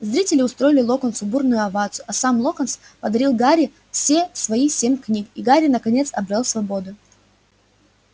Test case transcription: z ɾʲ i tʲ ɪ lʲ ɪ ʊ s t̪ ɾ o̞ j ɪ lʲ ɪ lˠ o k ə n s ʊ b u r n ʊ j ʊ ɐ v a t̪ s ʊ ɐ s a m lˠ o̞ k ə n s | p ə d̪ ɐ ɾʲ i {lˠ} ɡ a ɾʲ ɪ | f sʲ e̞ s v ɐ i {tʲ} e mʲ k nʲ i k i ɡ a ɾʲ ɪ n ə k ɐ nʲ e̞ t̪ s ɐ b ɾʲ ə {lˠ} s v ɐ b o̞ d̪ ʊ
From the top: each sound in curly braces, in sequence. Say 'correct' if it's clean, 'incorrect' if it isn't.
correct, incorrect: sʲ, correct

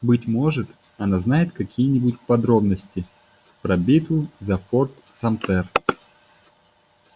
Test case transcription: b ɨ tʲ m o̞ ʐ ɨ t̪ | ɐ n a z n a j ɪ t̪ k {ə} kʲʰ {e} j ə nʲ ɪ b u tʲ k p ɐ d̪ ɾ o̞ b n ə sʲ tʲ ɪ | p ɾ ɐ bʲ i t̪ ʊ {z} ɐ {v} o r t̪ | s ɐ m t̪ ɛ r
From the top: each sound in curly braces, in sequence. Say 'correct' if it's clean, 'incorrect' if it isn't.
incorrect: ɐ, incorrect: i, correct, incorrect: f

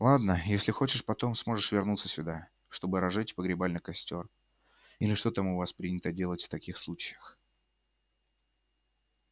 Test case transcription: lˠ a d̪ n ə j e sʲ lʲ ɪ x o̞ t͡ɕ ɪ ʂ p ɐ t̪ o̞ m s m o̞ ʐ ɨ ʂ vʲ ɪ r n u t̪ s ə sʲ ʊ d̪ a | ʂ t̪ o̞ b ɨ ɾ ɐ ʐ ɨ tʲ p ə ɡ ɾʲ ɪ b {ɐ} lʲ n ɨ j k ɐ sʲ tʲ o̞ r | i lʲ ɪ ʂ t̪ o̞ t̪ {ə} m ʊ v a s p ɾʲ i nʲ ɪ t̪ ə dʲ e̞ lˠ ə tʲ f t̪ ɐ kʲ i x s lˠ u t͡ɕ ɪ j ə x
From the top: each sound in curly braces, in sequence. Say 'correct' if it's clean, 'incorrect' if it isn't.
incorrect: a, incorrect: a

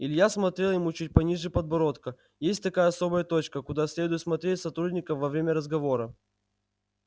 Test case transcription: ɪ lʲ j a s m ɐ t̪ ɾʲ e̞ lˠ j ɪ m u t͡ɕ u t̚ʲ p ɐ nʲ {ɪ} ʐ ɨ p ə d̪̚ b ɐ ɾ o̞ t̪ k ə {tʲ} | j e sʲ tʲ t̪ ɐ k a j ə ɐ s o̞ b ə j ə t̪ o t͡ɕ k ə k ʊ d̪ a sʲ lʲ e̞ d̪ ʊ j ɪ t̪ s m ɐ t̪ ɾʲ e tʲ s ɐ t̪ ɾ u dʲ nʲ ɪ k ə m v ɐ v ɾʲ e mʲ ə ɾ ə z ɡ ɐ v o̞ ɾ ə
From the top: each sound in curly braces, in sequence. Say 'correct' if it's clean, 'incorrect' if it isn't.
incorrect: i, incorrect: none

